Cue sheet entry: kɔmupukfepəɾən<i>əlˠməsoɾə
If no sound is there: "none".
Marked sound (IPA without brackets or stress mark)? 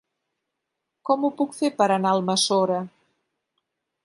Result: a